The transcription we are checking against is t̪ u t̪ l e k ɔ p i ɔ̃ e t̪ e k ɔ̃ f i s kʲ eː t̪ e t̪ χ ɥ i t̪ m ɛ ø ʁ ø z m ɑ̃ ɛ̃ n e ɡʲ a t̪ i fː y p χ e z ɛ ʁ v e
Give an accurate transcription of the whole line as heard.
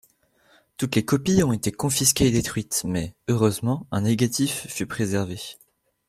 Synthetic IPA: t̪ u t̪ l e k ɔ p i ɔ̃ e t̪ e k ɔ̃ f i s kʲ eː d̪ e t̪ χ ɥ i t̪ m ɛ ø ʁ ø z m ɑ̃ ɛ̃ n e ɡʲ a t̪ i fː y p χ e z ɛ ʁ v e

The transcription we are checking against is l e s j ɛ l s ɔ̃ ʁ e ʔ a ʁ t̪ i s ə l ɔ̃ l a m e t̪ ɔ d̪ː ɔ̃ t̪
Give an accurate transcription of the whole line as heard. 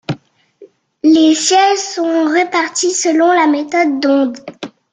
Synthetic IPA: l e s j ɛ l s ɔ̃ ʁ e p a ʁ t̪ i s ə l ɔ̃ l a m e t̪ ɔ d̪ː ɔ̃ d̪

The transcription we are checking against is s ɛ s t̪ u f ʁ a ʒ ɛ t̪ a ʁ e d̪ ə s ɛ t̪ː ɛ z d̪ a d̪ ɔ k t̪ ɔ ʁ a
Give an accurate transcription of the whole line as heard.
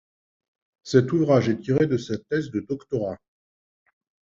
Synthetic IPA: s ɛ t̪ u v ʁ a ʒ ɛ t̪ i ʁ e d̪ ə s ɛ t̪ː ɛ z d̪ ə d̪ ɔ k t̪ ɔ ʁ a

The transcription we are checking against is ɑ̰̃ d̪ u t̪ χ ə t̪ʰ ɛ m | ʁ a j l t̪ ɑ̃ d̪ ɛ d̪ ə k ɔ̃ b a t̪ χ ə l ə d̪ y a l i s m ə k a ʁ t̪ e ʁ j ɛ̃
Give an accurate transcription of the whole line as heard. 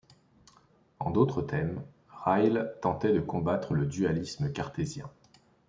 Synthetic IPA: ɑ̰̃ d̪ o t̪ χ ə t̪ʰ ɛ m | ʁ a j l t̪ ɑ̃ t̪ ɛ d̪ ə k ɔ̃ b a t̪ χ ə l ə d̪ y a l i s m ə k a ʁ t̪ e z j ɛ̃

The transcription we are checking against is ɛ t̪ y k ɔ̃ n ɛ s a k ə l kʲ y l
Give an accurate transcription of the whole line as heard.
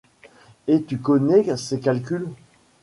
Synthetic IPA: e t̪ y k ɔ n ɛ s e k a l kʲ y l

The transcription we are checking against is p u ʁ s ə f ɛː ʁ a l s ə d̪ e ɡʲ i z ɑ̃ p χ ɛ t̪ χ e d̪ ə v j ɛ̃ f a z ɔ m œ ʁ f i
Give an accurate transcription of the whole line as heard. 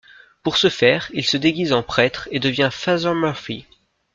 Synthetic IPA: p u ʁ s ə f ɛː ʁ i l s ə d̪ e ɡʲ i z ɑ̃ p χ ɛ t̪ χ e d̪ ə v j ɛ̃ f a z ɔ m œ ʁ f i

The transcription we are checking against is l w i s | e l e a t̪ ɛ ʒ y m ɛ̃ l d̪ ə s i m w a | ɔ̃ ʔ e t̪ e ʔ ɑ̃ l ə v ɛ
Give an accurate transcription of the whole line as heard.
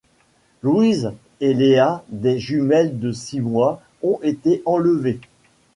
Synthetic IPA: l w i z | e l e a d̪ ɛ ʒ y m ɛ l d̪ ə s i m w a | ɔ̃ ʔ e t̪ e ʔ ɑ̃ l ə v e

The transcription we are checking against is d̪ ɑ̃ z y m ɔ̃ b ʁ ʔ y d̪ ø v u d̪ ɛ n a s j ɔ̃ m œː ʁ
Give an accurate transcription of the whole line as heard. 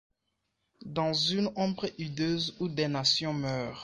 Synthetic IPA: d̪ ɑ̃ z y n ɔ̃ b ʁ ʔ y d̪ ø z u d̪ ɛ n a s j ɔ̃ m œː ʁ

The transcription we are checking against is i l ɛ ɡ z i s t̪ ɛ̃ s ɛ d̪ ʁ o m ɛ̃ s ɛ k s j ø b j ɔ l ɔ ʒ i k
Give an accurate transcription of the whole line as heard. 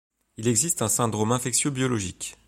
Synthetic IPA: i l ɛ ɡ z i s t̪ ɛ̃ s ɛ̃ d̪ ʁ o m ɛ̃ f ɛ k s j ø b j ɔ l ɔ ʒ i k

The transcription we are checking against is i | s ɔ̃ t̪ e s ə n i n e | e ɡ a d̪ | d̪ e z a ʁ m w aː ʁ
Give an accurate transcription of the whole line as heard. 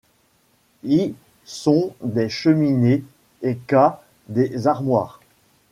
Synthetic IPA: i | s ɔ̃ d̪ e ʃ ə m i n e | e k a | d̪ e z a ʁ m w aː ʁ

